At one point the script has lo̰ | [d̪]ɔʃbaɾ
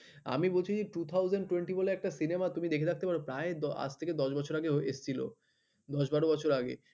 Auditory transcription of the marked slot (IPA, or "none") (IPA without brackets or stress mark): d̪